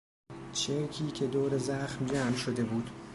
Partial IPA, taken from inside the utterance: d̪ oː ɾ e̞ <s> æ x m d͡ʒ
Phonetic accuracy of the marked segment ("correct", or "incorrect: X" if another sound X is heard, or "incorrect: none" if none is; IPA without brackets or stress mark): incorrect: z